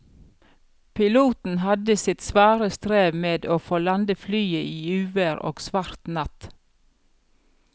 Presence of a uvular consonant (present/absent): absent